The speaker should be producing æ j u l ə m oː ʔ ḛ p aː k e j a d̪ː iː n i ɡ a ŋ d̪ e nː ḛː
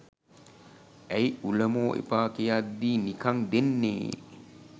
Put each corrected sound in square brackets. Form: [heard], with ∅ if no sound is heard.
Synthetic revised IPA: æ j u l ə m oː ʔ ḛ p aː k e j a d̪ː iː n i [k] a ŋ d̪ e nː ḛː